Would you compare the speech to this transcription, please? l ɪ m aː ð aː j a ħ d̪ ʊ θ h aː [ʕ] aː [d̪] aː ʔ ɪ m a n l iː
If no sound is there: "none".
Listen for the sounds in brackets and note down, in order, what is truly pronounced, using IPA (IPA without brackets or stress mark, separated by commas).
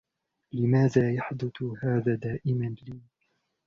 ð, d̪